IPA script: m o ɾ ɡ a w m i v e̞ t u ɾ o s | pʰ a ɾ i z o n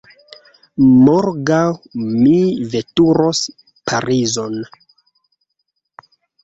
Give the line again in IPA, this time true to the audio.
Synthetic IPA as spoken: m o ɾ ɡ a w m i v e̞ t u ɾ o s | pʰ a ɾ i z o n